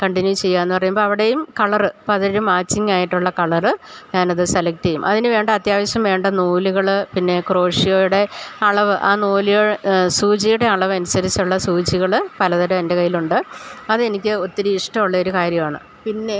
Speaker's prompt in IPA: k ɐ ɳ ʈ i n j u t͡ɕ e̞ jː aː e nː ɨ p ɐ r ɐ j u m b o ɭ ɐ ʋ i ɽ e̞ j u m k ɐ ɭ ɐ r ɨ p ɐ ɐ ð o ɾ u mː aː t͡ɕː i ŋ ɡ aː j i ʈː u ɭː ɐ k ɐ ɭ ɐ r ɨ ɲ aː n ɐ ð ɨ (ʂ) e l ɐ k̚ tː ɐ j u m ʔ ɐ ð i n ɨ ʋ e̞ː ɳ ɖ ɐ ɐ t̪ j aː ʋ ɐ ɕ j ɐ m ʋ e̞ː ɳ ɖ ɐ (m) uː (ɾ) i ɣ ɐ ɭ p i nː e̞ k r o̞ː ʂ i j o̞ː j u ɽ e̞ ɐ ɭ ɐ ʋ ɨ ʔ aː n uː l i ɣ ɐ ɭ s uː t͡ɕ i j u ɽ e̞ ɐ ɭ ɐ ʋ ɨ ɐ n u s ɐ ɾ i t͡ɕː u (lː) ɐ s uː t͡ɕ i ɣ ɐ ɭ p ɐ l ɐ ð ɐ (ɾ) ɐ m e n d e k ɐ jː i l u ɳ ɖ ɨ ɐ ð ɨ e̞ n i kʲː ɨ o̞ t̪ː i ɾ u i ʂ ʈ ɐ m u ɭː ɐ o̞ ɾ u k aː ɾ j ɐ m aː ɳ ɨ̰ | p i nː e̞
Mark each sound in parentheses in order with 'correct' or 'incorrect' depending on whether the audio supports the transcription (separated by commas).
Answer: incorrect, incorrect, incorrect, incorrect, correct